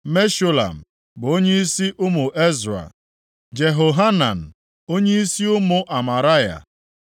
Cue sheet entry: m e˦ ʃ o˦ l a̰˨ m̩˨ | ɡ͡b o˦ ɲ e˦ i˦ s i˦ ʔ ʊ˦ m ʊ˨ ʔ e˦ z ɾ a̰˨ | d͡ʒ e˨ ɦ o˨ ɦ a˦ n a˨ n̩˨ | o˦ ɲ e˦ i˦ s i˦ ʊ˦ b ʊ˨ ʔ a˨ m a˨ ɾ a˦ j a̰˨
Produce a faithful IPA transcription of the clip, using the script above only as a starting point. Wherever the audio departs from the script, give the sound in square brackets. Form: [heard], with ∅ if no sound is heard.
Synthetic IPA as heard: m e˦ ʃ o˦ l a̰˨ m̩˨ | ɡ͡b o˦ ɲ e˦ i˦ s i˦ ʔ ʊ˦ m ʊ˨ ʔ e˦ z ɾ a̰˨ | d͡ʒ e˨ ɦ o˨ ɦ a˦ n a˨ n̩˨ | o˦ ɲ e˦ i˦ s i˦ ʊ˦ [m] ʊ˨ ʔ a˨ m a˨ ɾ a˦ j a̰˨